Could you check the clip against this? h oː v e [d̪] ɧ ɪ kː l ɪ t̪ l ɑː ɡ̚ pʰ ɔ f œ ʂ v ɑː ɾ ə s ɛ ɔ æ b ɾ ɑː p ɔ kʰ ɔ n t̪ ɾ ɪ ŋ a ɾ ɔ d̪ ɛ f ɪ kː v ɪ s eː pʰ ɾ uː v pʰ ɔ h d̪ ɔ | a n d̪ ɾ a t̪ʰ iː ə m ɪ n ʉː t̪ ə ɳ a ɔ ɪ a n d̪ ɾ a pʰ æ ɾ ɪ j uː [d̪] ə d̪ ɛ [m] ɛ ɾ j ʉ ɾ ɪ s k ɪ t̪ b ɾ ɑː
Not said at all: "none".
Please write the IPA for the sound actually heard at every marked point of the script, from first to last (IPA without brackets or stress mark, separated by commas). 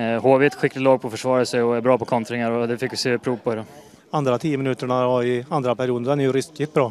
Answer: t̪, d̪, n